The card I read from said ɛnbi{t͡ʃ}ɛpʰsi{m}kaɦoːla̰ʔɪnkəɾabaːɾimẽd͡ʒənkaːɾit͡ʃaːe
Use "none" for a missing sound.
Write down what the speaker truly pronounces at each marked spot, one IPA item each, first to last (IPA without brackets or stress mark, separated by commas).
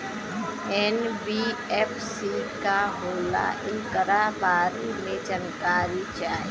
none, none